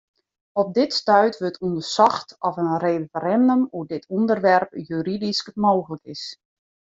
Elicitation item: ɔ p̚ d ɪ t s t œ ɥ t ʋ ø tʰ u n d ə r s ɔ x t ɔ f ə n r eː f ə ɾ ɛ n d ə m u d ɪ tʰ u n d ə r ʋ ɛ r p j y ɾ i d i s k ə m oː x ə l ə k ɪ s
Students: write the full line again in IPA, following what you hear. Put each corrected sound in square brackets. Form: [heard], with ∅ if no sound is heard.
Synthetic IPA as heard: ɔ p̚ d ɪ t s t œ ɥ t ʋ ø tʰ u n d ə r s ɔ x t ɔ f ə n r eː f ə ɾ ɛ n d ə m u d ɪ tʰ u n d ə r ʋ ɛ r p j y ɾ i d i s k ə m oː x ə l ə k ɪ s